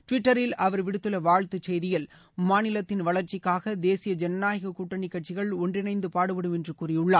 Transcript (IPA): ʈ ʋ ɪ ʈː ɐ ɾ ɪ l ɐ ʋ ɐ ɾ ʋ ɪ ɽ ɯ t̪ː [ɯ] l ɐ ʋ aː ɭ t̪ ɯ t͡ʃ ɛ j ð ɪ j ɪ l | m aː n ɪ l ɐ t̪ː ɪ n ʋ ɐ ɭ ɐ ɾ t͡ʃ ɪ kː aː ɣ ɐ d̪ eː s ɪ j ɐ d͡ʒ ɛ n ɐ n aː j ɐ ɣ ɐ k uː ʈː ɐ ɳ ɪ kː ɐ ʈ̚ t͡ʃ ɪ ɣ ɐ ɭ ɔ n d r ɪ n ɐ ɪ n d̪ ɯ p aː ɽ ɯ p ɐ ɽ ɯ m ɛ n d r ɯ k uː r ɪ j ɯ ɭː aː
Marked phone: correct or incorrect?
correct